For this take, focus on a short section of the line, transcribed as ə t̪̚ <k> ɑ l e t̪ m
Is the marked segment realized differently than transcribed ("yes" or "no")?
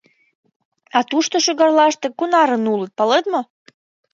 yes